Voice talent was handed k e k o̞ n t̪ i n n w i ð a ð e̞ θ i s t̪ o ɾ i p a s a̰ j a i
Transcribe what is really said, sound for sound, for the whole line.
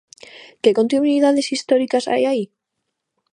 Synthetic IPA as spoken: k e k o̞ n t̪ i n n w i ð a ð e̞ s i s t̪ o ɾ i k a s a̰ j a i